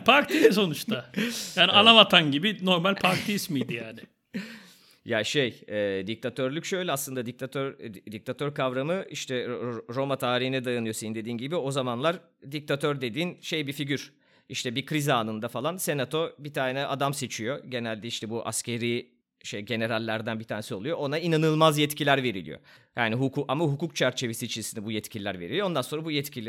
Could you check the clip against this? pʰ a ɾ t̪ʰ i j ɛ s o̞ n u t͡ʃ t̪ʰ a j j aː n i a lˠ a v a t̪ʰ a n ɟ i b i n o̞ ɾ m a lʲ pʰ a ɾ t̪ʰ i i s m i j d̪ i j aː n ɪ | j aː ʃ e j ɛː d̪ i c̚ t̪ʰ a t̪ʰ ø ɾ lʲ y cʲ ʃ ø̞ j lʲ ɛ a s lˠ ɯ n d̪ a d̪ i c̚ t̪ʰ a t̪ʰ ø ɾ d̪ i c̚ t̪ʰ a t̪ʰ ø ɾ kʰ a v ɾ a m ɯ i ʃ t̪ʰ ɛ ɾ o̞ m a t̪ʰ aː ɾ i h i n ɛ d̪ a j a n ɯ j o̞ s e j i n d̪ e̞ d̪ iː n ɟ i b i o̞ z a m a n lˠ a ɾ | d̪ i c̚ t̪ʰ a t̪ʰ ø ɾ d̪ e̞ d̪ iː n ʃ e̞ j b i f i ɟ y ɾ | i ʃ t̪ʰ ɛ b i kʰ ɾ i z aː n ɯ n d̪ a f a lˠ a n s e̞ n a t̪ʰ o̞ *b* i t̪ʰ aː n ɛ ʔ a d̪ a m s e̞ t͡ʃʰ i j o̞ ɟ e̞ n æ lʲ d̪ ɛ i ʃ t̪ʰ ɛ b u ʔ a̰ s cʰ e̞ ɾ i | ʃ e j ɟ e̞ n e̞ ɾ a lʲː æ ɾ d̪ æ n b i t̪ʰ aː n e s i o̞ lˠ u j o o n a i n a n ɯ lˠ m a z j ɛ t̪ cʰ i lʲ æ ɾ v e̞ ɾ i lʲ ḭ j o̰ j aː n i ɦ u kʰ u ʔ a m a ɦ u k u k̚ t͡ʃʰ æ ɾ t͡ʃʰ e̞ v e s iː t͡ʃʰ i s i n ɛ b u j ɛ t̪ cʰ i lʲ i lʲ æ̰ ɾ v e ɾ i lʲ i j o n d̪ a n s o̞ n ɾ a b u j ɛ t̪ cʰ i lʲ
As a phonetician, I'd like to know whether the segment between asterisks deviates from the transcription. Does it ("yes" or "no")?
no